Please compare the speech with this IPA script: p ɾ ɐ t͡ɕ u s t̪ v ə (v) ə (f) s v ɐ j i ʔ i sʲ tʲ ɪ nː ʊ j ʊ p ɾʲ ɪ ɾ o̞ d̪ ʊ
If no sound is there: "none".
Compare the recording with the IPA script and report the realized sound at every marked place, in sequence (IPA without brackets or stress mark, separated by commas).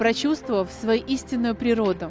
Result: v, f